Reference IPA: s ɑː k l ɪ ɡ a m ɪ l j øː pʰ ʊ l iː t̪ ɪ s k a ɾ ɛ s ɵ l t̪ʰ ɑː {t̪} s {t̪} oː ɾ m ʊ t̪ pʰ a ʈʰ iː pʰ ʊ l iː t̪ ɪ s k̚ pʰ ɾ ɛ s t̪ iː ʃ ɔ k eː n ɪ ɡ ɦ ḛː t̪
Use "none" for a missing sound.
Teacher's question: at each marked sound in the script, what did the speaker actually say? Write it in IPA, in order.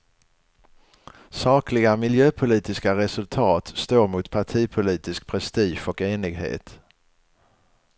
t̪, t̪

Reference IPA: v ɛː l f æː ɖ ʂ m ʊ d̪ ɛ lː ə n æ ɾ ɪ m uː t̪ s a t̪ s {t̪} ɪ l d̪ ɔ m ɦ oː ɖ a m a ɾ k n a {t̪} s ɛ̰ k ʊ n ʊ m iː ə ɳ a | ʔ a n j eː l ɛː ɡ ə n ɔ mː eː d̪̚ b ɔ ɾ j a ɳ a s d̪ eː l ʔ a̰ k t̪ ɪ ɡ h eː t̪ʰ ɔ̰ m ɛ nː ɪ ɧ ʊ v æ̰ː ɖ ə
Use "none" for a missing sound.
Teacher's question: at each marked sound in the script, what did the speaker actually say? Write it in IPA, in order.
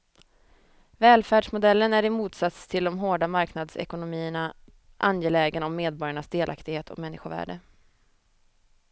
t̪ʰ, d̪

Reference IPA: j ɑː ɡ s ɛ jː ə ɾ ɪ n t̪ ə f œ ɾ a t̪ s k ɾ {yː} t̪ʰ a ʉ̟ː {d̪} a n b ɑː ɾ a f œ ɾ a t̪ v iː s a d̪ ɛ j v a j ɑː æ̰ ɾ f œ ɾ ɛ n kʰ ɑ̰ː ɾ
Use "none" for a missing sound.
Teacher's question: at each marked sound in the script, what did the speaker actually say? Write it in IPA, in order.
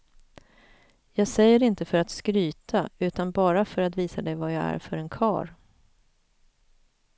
yː, t̪

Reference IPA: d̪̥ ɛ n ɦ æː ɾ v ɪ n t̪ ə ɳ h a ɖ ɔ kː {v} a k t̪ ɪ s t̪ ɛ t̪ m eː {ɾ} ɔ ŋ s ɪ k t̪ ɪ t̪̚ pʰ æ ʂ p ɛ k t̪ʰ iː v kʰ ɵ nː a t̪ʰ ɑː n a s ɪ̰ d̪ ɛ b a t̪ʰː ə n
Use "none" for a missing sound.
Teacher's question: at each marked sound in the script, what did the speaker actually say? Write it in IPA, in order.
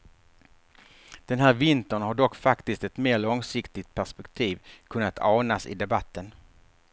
f, ɭ

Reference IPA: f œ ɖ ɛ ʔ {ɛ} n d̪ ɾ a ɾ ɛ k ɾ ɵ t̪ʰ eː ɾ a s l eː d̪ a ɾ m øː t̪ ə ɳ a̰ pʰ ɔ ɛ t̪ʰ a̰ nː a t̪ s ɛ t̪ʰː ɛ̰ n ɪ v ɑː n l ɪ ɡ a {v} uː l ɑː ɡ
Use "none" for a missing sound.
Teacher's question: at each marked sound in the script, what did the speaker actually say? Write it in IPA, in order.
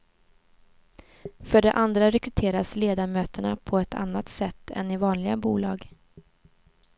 a, b

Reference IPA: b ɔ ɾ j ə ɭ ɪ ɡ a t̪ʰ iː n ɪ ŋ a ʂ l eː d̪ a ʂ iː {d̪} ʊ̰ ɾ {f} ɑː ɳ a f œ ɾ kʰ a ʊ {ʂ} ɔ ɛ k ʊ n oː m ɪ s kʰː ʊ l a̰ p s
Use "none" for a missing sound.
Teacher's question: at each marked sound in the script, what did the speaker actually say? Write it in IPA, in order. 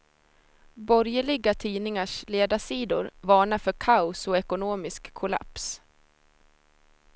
d̪, v, s

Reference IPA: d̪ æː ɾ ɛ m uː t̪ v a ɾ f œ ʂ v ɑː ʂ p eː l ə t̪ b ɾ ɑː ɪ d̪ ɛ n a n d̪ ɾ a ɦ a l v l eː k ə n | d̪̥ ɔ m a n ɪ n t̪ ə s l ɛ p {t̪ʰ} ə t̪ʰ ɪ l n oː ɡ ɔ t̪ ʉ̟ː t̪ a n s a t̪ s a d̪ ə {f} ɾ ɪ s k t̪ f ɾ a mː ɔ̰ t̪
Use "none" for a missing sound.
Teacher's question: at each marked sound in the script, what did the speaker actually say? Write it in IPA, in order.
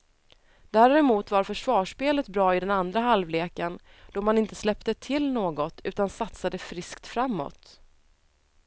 t̪, f

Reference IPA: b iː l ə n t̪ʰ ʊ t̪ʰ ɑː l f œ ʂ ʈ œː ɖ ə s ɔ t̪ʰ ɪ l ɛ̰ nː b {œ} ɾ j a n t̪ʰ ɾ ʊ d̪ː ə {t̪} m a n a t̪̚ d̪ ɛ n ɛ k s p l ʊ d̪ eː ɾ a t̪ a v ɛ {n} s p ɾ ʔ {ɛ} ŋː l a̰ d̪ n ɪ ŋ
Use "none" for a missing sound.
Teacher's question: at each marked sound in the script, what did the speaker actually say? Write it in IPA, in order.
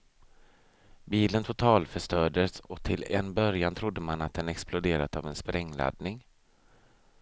œ, none, n, ɛ

